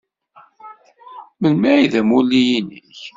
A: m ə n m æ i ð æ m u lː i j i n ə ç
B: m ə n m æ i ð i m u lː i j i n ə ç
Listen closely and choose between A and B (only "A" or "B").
A